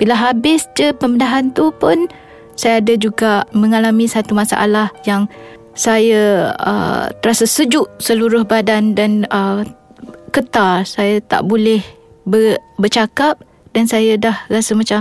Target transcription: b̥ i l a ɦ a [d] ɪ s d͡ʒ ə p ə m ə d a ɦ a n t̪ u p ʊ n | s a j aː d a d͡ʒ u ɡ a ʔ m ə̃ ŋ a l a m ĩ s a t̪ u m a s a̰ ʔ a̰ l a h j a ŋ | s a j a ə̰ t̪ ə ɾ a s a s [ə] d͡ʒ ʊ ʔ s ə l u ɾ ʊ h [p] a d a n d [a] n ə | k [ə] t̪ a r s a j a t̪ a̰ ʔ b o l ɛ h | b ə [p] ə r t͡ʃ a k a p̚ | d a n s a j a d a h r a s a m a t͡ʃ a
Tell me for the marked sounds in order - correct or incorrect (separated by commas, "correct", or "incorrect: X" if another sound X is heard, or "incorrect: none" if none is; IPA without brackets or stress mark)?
incorrect: b, correct, incorrect: b, correct, correct, incorrect: b